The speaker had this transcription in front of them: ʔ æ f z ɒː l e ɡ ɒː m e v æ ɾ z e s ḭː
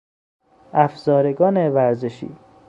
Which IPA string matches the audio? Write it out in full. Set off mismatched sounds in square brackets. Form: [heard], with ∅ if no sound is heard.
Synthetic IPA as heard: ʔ æ f z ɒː [ɾ] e ɡ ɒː [n] e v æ ɾ z e [ʃ] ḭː